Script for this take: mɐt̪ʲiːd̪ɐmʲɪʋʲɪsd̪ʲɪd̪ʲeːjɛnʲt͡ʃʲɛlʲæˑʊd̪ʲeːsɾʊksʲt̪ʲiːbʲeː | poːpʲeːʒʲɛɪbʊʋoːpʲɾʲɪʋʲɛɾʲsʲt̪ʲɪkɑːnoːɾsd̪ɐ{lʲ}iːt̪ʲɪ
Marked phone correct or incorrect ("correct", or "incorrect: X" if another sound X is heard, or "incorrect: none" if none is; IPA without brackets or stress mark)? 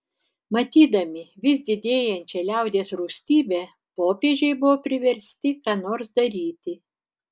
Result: incorrect: ɾʲ